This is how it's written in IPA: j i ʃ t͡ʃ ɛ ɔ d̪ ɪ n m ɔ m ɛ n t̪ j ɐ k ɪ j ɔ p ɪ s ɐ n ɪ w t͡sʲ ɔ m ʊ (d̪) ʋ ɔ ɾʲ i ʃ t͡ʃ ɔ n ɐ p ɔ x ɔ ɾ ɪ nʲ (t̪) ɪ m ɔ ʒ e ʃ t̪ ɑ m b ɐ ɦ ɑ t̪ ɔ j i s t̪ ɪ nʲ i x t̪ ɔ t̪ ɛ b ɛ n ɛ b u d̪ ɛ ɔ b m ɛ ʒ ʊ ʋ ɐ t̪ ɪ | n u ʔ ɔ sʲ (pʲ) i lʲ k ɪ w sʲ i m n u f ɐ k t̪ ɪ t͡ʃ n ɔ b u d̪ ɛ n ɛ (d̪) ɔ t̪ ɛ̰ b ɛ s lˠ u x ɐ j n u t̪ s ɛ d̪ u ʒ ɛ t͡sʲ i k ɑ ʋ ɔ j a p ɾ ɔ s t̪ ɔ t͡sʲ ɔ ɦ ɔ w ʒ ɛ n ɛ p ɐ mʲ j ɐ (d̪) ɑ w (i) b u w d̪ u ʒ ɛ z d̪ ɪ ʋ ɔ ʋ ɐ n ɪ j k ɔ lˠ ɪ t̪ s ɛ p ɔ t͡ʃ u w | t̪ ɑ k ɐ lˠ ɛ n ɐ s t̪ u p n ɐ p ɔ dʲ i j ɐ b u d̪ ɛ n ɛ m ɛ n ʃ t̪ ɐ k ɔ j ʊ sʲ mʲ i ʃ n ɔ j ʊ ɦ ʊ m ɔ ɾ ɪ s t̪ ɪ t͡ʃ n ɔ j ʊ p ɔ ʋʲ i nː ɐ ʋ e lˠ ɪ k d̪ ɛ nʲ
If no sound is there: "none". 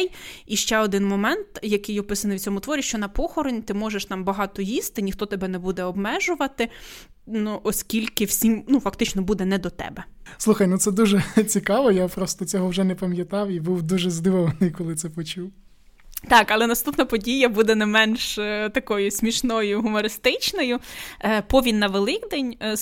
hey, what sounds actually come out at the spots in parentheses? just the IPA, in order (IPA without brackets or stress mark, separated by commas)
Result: t̪, t̪, kʲ, d̪, t̪, i